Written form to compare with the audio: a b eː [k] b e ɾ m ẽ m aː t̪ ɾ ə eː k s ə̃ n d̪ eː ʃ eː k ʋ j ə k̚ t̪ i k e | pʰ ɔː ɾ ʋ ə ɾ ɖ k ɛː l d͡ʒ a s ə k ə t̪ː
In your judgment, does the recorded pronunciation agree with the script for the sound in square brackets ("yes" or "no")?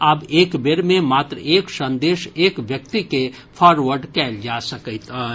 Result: yes